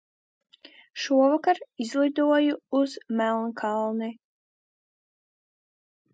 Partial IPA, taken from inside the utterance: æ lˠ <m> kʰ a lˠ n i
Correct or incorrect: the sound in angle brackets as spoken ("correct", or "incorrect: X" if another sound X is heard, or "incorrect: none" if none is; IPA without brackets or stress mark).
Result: incorrect: n